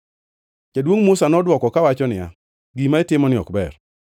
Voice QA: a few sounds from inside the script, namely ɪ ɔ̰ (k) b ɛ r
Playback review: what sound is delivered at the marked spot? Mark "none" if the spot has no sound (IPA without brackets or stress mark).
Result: k